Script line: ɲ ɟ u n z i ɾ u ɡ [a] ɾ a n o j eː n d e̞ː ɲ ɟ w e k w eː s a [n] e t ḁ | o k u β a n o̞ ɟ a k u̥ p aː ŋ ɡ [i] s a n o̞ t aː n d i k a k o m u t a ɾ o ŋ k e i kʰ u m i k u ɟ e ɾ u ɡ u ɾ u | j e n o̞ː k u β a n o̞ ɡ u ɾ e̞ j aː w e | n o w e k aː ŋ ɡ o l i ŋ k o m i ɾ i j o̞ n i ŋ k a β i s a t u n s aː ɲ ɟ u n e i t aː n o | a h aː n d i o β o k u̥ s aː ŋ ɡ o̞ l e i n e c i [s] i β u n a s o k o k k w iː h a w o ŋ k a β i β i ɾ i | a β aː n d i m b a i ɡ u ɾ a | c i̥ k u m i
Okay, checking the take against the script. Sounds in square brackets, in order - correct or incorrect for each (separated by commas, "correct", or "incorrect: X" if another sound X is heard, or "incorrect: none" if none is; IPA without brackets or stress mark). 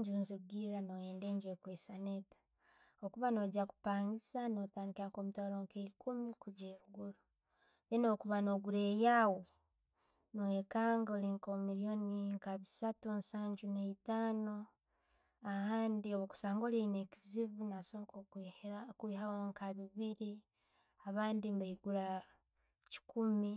incorrect: i, correct, correct, incorrect: z